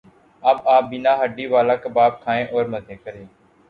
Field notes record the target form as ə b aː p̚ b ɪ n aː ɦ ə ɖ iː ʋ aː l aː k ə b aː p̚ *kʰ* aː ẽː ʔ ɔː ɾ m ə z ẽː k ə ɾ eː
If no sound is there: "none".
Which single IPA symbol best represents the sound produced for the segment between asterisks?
kʰ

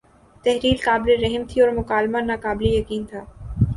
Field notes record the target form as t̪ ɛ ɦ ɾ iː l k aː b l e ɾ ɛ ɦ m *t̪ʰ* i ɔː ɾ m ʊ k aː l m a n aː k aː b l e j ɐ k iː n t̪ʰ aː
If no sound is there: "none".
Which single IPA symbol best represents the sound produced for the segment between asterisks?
t̪ʰ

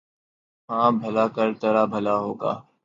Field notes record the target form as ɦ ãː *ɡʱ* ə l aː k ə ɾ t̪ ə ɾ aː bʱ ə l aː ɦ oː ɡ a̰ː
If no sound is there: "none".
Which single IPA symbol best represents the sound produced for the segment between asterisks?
bʱ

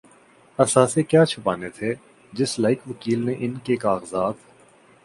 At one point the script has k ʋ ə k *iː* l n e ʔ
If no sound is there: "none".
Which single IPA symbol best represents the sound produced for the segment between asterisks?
iː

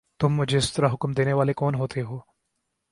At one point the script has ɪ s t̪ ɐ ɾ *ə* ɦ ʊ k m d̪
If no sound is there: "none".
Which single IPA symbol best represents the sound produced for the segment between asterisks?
a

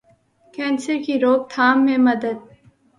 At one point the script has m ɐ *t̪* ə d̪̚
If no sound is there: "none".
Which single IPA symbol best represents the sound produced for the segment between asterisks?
d̪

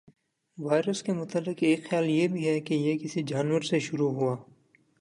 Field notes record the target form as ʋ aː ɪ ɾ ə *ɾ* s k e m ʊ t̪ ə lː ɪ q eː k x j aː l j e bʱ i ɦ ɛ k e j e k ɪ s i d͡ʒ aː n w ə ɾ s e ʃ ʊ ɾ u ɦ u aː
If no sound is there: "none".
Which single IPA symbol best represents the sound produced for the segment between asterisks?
none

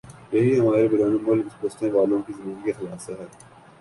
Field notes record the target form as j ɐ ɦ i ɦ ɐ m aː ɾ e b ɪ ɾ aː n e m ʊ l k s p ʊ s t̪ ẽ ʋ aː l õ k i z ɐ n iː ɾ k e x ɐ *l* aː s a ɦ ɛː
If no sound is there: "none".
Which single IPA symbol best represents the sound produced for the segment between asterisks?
l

